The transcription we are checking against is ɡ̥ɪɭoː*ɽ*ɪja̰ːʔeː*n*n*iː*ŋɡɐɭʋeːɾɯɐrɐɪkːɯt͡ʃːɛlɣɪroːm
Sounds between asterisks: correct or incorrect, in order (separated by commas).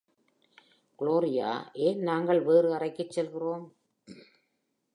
incorrect, correct, incorrect